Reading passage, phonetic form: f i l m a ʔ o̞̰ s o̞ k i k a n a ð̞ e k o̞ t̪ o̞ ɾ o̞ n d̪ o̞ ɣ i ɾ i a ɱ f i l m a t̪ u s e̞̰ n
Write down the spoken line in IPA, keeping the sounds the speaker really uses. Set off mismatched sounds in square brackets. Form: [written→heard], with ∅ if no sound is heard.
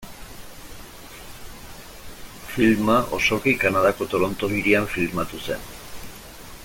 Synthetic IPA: f i l m a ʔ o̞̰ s o̞ k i k a n a ð̞ [e→a] k o̞ t̪ o̞ ɾ o̞ n [d̪→t̪] o̞ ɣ i ɾ i a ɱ f i l m a t̪ u s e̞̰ n